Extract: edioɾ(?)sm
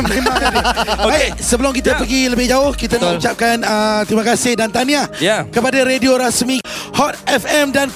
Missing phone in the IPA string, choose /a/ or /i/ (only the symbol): a